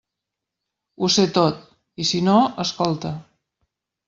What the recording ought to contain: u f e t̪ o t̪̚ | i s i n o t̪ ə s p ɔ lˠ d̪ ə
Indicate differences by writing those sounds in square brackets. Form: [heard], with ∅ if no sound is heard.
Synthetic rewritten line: u [s] e t̪ o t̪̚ | i s i n o [∅] ə s [k] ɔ lˠ [t̪] ə